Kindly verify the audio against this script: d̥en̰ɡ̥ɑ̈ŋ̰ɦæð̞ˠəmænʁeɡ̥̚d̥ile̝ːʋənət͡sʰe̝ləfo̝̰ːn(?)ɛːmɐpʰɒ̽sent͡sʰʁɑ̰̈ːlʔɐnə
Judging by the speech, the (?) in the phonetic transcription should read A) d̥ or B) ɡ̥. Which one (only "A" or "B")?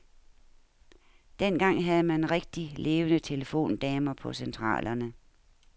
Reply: A